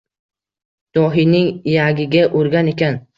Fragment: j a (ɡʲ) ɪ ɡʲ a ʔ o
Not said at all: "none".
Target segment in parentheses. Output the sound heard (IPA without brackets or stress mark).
ɡʲ